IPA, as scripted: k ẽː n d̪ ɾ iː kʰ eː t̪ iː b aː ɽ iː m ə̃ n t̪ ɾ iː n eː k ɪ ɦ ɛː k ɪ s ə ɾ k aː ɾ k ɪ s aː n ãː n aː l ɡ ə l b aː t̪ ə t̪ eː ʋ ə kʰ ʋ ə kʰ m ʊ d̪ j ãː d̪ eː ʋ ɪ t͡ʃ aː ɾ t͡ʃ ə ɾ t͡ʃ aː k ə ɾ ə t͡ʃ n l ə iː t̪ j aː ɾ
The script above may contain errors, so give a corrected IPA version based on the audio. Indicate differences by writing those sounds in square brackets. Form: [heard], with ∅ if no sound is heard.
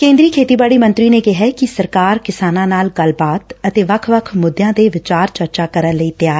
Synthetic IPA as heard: k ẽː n d̪ ɾ iː kʰ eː t̪ iː b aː ɽ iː m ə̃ n t̪ ɾ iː n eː k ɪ ɦ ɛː k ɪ s ə ɾ k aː ɾ k ɪ s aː n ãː n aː l ɡ ə l b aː t̪ ə t̪ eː ʋ ə kʰ ʋ ə kʰ m ʊ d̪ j ãː d̪ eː ʋ ɪ t͡ʃ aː ɾ t͡ʃ ə ɾ t͡ʃ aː k ə ɾ ə [∅] n l ə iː t̪ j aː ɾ